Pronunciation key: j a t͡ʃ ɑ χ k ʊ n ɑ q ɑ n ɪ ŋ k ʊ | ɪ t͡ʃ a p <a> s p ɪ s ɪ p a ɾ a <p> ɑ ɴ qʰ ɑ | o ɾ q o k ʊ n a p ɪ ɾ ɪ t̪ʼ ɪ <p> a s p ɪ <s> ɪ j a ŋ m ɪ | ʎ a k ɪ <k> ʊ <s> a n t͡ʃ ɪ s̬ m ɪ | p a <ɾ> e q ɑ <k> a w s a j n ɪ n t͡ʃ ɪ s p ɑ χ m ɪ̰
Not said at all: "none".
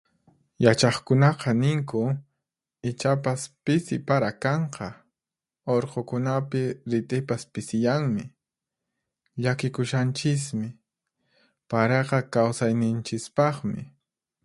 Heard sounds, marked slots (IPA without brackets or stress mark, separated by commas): a, k, p, s, k, ʃ, ɾ, k